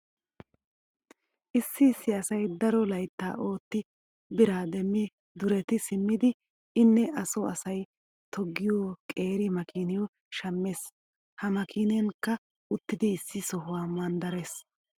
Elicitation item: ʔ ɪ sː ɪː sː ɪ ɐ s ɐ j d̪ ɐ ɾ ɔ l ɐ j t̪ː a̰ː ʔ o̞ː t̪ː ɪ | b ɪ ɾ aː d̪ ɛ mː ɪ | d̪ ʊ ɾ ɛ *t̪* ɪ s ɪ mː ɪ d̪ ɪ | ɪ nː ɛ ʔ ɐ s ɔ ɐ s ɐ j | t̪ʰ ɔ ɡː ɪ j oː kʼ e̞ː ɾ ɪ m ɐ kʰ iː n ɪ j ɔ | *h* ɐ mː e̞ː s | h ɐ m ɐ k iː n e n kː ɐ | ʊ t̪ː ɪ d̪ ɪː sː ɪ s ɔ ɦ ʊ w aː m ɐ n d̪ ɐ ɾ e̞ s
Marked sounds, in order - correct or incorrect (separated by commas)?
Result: correct, incorrect